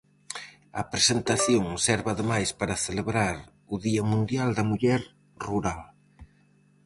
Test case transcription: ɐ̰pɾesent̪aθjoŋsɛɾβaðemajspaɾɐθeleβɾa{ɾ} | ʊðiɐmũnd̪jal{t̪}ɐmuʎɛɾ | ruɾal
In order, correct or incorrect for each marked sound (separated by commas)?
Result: correct, incorrect